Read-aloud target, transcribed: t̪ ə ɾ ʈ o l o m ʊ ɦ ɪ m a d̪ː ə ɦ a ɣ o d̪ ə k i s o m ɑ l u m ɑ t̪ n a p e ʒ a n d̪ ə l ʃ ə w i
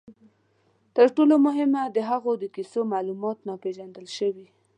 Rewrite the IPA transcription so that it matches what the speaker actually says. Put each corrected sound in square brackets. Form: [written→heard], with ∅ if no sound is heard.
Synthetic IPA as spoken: t̪ ə ɾ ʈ o l o m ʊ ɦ ɪ m a [d̪ː→d̪] ə ɦ a ɣ o d̪ ə k i s o m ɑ l u m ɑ t̪ n a p e ʒ a n d̪ ə l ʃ ə w i